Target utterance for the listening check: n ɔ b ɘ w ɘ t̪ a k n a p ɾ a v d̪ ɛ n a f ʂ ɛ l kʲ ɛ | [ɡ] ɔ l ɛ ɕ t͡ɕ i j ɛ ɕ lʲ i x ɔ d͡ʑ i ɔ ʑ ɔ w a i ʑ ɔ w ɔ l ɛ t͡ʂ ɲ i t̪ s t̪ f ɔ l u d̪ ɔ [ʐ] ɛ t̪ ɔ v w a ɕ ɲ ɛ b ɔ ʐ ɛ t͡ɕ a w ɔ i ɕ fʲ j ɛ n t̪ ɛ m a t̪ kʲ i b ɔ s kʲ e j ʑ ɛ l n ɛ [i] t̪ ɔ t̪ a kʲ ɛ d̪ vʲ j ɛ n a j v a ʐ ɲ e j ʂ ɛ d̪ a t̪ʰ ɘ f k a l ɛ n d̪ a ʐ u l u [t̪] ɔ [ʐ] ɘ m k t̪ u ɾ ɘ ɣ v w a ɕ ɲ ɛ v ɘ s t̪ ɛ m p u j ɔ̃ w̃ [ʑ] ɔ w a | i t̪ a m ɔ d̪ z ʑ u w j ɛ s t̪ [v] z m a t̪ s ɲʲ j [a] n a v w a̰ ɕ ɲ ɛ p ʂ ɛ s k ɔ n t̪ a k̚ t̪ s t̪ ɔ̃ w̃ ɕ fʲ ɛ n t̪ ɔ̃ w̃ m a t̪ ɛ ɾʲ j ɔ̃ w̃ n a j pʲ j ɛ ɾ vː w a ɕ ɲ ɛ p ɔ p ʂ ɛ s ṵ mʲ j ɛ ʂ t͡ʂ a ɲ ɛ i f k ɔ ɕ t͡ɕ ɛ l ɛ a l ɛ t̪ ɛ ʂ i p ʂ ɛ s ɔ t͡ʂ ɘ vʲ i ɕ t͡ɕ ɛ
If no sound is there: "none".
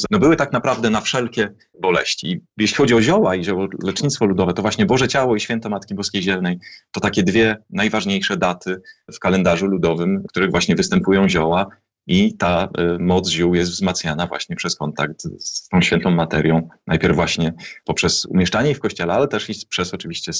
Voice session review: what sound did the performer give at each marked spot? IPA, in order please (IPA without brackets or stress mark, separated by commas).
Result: b, v, j, d̪, v, ʑ, v, a